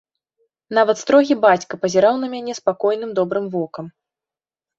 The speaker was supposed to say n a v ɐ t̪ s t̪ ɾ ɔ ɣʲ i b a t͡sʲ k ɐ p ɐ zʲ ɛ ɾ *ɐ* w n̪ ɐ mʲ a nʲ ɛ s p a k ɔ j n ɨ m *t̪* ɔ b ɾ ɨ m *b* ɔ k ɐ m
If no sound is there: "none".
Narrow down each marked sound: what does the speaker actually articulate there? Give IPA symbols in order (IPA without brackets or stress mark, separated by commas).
a, d̪, v